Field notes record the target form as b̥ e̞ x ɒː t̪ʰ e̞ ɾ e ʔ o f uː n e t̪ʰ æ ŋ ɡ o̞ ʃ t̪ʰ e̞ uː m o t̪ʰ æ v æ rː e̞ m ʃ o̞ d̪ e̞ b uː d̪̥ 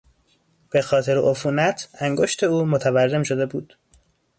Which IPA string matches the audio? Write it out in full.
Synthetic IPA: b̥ e̞ x ɒː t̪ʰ e̞ ɾ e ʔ o f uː n æ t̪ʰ æ ŋ ɡ o̞ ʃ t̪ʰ e̞ uː m o t̪ʰ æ v æ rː e̞ m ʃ o̞ d̪ e̞ b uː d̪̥